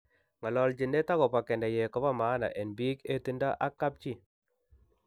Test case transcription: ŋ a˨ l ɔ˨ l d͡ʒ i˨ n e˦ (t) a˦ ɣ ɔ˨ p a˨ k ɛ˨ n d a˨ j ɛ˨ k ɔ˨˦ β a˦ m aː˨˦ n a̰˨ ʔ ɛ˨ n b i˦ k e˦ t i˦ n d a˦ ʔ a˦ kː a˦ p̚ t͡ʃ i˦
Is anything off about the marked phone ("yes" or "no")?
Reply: no